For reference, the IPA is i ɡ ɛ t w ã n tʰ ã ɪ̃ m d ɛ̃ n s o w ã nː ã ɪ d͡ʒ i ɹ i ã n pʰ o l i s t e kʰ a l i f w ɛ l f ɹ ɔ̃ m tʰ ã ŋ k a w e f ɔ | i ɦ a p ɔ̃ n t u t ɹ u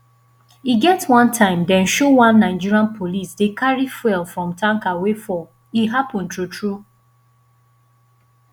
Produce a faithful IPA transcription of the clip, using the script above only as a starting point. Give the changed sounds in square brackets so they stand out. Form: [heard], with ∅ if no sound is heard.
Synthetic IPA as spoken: i ɡ ɛ t w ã n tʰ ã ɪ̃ m d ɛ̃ n [ʃ] o w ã nː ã ɪ d͡ʒ i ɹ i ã n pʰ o l i s [d] e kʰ a [ɹ] i f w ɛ l f ɹ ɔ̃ m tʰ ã ŋ k a w e f ɔ | i ɦ a p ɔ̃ n t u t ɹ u